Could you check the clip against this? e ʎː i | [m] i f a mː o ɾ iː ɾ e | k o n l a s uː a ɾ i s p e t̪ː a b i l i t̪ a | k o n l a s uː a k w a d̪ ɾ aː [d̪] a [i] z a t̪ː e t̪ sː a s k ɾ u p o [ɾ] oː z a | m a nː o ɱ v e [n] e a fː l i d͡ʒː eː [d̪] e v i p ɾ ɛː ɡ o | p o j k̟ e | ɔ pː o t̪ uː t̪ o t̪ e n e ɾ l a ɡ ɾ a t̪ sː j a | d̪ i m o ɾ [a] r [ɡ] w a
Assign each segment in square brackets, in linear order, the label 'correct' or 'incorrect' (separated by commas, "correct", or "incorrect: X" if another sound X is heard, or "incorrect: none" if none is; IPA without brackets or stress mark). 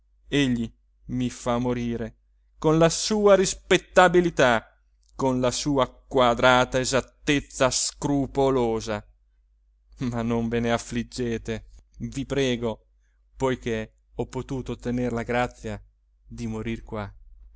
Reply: correct, incorrect: t̪, incorrect: e, incorrect: l, correct, incorrect: t̪, incorrect: i, incorrect: k